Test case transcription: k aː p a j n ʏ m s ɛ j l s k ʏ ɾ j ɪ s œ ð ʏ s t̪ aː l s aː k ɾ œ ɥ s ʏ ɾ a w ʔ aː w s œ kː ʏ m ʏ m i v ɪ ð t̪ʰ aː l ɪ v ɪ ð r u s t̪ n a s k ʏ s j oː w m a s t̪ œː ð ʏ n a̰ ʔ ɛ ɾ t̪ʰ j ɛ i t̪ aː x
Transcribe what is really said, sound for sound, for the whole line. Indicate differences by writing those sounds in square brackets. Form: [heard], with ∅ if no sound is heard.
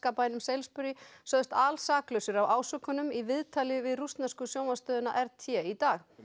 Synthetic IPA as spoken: k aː p a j n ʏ m s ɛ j l s [p] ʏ ɾ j ɪ s œ ð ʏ s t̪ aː l s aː k [l] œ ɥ s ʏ ɾ a w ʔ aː w s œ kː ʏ [n] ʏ m i v ɪ ð t̪ʰ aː l ɪ v ɪ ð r u s t̪ n a s k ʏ s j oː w m a s t̪ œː ð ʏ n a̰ ʔ ɛ ɾ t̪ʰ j ɛ i t̪ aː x